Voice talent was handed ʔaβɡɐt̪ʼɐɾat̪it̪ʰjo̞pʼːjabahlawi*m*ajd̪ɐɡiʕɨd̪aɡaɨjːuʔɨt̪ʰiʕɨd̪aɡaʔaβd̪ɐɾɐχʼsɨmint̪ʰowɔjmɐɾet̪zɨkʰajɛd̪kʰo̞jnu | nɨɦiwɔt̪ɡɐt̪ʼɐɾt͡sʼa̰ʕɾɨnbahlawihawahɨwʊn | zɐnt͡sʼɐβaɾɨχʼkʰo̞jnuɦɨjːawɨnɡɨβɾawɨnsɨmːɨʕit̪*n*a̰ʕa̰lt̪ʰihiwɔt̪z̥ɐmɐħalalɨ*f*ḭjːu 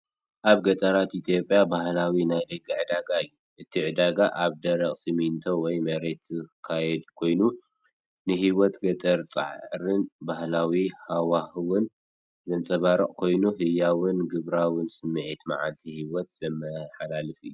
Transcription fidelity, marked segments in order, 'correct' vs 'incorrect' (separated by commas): incorrect, incorrect, correct